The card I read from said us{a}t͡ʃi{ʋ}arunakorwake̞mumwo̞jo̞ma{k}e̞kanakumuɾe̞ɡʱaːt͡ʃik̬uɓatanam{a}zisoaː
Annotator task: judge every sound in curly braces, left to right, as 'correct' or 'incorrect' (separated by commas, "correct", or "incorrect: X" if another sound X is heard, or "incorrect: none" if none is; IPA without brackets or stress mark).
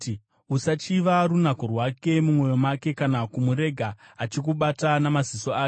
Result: correct, correct, correct, correct